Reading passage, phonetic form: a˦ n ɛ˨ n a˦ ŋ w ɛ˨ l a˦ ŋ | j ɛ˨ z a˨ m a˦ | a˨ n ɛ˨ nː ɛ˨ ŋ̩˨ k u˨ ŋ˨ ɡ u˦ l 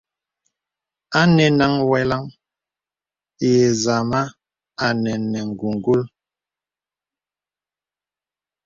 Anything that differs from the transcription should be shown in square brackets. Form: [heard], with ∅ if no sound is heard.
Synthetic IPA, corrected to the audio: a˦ n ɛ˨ n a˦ ŋ w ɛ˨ l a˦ ŋ | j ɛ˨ z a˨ m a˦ | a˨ n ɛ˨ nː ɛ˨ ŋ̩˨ [ɡ] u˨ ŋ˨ ɡ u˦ l